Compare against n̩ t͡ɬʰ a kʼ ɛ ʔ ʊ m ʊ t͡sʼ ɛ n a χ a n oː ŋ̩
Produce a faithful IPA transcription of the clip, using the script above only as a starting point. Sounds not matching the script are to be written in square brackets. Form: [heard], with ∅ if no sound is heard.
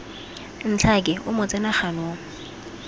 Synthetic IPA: n̩ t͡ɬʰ a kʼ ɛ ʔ ʊ m ʊ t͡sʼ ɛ n a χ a n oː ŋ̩